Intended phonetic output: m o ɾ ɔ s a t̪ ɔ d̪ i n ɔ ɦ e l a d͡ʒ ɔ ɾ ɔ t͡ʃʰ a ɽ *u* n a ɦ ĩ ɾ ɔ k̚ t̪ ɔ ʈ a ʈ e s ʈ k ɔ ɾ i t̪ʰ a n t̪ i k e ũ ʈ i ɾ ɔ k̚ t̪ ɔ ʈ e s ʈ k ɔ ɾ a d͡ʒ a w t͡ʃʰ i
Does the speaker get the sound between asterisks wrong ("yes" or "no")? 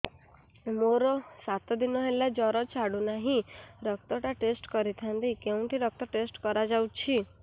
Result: no